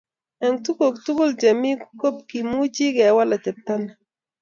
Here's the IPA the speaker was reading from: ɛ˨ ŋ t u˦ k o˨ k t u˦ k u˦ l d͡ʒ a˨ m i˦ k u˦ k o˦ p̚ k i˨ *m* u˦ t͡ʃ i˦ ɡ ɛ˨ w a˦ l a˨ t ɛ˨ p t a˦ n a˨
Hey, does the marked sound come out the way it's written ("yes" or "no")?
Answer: yes